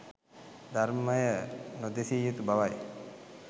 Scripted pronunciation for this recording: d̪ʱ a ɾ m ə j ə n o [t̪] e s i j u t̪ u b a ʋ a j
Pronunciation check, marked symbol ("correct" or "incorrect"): incorrect